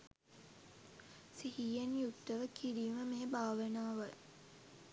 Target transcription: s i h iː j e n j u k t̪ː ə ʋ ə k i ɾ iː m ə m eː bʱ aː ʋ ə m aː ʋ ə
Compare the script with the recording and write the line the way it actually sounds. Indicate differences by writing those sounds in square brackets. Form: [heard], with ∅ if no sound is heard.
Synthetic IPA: s i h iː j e n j u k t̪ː ə ʋ ə k i ɾ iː m ə m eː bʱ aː ʋ ə [n] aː ʋ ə